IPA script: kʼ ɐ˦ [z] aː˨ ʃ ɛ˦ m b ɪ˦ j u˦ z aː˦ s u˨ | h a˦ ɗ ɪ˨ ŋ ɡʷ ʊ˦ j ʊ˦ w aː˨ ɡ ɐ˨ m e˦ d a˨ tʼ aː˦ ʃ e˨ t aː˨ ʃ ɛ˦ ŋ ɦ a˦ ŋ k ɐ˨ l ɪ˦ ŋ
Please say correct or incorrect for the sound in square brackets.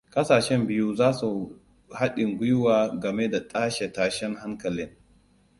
incorrect